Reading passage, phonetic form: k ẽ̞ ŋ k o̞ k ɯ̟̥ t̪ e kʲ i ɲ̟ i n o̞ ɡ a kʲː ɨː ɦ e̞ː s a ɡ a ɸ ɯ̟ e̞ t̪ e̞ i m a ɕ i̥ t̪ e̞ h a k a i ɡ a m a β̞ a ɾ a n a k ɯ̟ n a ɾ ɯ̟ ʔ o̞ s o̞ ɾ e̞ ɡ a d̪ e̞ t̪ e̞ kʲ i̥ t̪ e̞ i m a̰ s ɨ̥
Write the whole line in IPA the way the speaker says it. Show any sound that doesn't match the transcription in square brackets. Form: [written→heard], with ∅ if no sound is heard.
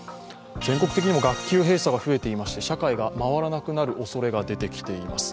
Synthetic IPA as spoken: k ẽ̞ ŋ k o̞ k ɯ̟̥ t̪ e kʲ i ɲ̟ i [n→m] o̞ ɡ a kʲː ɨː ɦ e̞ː s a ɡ a ɸ ɯ̟ e̞ t̪ e̞ i m a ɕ i̥ t̪ e̞ [h→ɕ] a k a i ɡ a m a β̞ a ɾ a n a k ɯ̟ n a ɾ ɯ̟ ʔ o̞ s o̞ ɾ e̞ ɡ a d̪ e̞ t̪ e̞ kʲ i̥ t̪ e̞ i m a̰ s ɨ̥